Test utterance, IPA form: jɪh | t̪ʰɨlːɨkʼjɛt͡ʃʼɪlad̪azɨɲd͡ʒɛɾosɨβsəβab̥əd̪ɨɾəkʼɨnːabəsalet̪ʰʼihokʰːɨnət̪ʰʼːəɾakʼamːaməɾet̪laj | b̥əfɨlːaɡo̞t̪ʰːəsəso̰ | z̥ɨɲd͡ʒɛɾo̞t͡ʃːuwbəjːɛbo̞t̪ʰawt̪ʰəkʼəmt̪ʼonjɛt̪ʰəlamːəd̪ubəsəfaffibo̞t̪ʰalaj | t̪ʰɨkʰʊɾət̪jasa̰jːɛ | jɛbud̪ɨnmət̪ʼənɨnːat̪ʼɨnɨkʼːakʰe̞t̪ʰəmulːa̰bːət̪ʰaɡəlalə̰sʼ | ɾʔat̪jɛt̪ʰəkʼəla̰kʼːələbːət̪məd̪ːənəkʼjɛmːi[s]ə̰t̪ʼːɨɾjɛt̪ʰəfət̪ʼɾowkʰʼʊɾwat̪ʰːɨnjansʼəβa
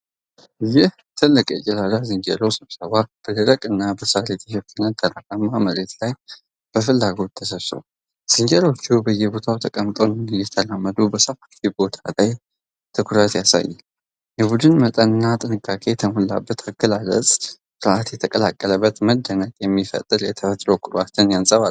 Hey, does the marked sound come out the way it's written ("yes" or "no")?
no